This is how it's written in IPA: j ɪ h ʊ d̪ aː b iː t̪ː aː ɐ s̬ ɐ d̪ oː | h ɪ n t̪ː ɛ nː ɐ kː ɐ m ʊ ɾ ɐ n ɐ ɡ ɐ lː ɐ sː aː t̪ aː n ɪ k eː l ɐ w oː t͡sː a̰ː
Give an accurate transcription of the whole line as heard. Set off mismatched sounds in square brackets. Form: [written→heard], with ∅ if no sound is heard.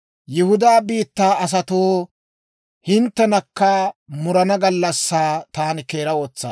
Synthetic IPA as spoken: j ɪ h ʊ d̪ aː b iː t̪ː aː ɐ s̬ ɐ [d̪→t̪] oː | h ɪ n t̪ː ɛ [nː→n] ɐ kː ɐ m ʊ ɾ ɐ n ɐ ɡ ɐ lː ɐ sː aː t̪ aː n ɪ k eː [l→ɾ] ɐ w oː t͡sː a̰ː